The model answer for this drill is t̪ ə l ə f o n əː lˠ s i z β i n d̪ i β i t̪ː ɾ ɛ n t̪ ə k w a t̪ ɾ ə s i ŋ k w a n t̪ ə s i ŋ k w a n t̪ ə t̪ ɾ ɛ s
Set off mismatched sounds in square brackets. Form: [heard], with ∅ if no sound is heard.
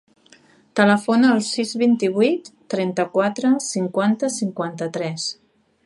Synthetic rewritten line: t̪ ə l ə f o n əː lˠ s i z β i n [t̪] i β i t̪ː ɾ ɛ n t̪ ə k w a t̪ ɾ ə s i ŋ k w a n t̪ ə s i ŋ k w a n t̪ ə t̪ ɾ ɛ s